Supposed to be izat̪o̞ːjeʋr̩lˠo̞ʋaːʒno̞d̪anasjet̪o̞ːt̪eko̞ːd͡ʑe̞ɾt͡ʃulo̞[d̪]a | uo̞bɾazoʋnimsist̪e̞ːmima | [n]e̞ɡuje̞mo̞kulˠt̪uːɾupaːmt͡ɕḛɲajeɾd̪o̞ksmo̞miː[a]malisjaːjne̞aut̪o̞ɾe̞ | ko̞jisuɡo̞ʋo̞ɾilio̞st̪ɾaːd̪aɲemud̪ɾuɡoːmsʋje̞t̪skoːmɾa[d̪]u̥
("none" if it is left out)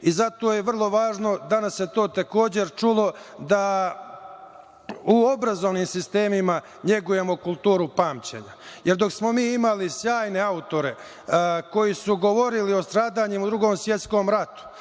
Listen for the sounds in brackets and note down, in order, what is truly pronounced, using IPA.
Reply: d̪, ɲ, i, t̪

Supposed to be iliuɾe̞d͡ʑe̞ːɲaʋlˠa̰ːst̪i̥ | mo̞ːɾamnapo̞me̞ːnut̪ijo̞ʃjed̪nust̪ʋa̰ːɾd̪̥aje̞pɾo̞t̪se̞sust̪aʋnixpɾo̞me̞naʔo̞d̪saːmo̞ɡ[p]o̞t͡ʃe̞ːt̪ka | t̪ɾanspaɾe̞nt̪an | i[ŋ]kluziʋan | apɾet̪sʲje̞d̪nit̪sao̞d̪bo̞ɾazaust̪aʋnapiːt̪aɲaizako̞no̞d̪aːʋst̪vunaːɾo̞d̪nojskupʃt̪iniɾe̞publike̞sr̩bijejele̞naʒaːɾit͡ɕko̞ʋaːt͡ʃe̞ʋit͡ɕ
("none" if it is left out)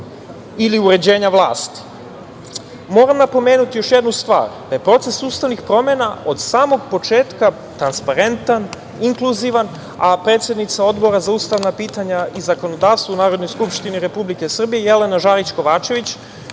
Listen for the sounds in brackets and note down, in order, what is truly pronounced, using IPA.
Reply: p, ŋ

